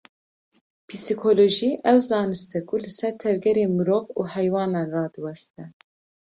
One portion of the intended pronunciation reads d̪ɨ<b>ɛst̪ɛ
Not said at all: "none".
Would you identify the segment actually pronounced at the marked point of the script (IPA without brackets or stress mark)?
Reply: w